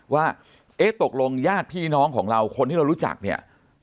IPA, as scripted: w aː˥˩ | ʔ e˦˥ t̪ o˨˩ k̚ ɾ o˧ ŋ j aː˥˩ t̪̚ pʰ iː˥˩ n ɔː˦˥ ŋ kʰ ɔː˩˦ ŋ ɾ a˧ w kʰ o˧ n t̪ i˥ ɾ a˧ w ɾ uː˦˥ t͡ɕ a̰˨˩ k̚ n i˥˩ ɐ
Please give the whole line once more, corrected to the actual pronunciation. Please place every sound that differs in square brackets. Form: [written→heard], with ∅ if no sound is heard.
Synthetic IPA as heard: w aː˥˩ | ʔ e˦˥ t̪ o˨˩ k̚ [ɾ→l] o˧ ŋ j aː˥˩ t̪̚ pʰ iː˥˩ n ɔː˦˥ ŋ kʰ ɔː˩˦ ŋ ɾ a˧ w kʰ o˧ n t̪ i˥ ɾ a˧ w ɾ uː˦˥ t͡ɕ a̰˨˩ k̚ n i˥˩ ɐ